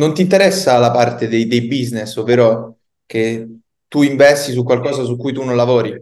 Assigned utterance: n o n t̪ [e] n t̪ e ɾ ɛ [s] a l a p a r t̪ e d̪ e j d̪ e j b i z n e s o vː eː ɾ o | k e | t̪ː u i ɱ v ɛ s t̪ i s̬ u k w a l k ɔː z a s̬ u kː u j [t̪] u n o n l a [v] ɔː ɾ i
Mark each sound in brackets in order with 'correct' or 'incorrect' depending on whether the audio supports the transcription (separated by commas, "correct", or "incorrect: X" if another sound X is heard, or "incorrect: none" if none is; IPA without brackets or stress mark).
incorrect: i, incorrect: sː, correct, correct